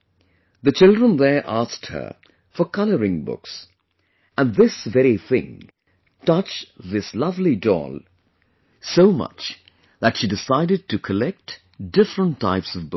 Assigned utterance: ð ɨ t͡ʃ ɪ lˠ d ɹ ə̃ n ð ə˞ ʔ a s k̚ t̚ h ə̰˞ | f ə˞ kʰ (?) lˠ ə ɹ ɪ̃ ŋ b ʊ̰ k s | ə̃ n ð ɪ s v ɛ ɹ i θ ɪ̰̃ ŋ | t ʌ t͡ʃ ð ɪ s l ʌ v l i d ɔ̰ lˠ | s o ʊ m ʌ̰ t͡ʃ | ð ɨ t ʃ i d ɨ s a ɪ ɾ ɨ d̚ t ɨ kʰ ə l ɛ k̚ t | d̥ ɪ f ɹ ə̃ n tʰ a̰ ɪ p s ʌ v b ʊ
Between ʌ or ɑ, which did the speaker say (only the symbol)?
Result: ʌ